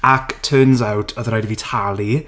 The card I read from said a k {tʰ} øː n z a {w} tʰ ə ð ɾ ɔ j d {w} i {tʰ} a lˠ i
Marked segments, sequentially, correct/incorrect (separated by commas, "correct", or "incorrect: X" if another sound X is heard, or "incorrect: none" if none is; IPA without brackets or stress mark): correct, correct, incorrect: v, correct